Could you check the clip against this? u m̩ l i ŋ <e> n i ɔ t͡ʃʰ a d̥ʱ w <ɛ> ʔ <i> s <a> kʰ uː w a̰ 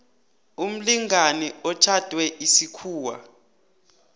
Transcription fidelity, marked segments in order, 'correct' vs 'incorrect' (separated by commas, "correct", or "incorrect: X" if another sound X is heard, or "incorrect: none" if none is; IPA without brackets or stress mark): incorrect: a, correct, correct, incorrect: i